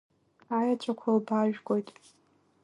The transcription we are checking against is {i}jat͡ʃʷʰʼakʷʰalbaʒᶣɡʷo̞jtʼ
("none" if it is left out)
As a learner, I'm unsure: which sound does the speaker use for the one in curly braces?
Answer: a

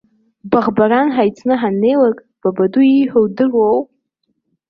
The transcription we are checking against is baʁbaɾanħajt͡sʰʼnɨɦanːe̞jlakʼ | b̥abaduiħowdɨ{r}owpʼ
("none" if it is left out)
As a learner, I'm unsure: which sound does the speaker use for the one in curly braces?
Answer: r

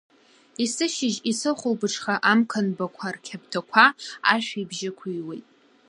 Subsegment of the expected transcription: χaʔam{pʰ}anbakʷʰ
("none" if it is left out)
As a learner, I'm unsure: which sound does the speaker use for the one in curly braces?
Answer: kʰ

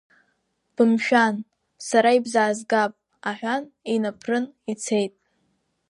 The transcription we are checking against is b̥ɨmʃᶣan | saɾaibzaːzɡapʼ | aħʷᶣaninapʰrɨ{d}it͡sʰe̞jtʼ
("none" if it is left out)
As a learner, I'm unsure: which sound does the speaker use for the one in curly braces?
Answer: n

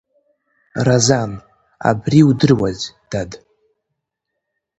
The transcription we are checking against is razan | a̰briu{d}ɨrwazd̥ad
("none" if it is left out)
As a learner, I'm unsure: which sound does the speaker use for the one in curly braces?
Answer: d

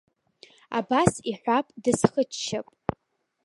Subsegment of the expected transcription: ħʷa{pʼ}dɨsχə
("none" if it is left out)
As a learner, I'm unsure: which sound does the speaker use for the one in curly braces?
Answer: pʼ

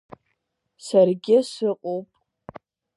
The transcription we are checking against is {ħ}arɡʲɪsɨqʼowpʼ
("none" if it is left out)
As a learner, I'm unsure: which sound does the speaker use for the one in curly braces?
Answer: s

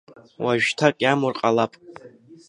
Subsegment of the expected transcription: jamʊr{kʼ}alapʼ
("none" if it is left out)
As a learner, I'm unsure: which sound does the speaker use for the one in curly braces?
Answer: qʼ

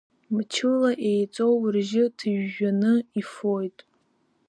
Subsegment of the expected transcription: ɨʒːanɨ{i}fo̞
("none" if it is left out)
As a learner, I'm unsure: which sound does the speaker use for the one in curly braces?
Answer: i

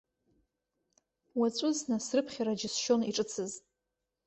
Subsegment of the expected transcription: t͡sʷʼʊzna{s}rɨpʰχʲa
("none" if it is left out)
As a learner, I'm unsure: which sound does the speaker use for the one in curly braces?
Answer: s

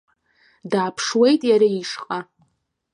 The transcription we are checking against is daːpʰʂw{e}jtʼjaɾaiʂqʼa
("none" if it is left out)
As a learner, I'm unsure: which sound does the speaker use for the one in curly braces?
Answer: e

